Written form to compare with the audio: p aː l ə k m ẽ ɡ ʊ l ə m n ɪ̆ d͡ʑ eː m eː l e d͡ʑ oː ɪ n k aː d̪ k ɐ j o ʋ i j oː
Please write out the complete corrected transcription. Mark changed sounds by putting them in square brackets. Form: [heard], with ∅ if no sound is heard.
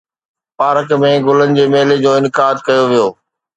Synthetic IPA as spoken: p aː [ɾ] ə k m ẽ ɡ ʊ l ə [∅] n ɪ̆ d͡ʑ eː m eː l e d͡ʑ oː ɪ n k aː d̪ k ɐ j o ʋ i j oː